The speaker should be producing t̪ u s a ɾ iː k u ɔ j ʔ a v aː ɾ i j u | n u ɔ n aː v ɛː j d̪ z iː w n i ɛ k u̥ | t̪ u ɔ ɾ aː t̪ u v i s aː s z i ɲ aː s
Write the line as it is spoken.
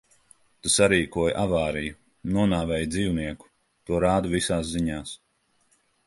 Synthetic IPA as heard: t̪ u s a ɾ iː k u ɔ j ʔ a v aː ɾ i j u | n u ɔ n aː v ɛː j d̪ z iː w n i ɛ k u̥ | t̪ u ɔ ɾ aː d̪ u v i s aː s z i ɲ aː s